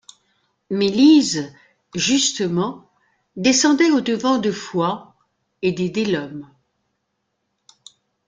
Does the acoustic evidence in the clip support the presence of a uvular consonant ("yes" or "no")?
no